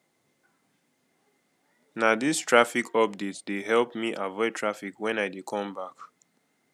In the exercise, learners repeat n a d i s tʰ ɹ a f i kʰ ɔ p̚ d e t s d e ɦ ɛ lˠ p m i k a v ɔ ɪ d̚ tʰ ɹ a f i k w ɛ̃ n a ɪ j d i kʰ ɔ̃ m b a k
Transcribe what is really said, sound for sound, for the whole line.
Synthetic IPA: n a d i s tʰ ɹ a f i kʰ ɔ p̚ d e t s d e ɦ ɛ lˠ p m i ʔ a v ɔ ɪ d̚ tʰ ɹ a f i k w ɛ̃ n a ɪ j d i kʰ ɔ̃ m b a k